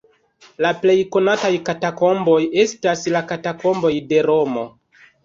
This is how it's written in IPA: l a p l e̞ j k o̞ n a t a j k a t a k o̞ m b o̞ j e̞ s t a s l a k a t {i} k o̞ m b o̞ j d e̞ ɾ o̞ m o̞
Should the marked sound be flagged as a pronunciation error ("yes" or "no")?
yes